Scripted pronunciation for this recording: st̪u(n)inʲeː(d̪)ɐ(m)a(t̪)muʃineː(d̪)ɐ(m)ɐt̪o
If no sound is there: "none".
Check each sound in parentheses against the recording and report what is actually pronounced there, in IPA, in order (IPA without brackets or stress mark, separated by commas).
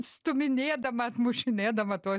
m, d̪, m, t̪, d̪, m